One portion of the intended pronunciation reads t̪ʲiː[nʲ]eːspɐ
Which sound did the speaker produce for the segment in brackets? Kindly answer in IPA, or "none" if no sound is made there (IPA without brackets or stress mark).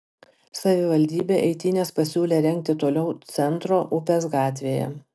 nʲ